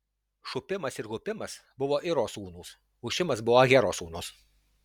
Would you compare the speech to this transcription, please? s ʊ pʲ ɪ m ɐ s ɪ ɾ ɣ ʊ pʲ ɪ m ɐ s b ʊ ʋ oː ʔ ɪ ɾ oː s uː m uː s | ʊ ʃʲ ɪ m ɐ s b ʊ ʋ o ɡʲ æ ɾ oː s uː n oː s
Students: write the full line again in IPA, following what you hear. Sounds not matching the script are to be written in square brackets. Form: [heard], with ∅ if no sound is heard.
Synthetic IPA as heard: [ʃ] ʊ pʲ ɪ m ɐ s ɪ ɾ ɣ ʊ pʲ ɪ m ɐ s b ʊ ʋ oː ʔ ɪ ɾ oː s uː [n] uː s | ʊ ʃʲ ɪ m ɐ s b ʊ ʋ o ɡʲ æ ɾ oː s uː n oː s